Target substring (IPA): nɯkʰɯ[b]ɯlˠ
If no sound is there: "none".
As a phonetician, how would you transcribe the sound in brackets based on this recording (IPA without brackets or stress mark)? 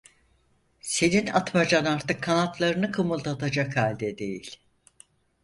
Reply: m